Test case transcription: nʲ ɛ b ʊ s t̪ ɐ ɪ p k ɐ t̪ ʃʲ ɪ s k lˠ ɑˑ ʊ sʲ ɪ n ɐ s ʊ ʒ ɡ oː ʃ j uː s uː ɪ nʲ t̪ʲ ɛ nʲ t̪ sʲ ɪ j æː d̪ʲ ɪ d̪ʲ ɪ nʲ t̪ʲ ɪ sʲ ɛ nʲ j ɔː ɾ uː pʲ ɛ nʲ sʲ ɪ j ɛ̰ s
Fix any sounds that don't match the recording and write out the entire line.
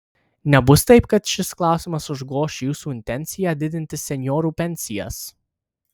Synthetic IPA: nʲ ɛ b ʊ s t̪ ɐ ɪ p k ɐ t̪ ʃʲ ɪ s k lˠ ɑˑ ʊ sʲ ɪ m ɐ s ʊ ʒ ɡ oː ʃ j uː s uː ɪ nʲ t̪ʲ ɛ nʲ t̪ sʲ ɪ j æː d̪ʲ ɪ d̪ʲ ɪ nʲ t̪ʲ ɪ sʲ ɛ nʲ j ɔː ɾ uː pʲ ɛ nʲ sʲ ɪ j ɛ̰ s